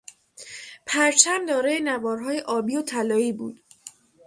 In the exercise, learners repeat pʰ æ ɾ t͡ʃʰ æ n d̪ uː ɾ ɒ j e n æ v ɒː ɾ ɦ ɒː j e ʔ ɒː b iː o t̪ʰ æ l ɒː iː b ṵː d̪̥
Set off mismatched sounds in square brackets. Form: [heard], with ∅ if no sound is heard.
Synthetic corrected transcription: pʰ æ ɾ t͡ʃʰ æ [m] d̪ [ɒː] ɾ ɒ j e n æ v ɒː ɾ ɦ ɒː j e ʔ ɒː b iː o t̪ʰ æ l ɒː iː b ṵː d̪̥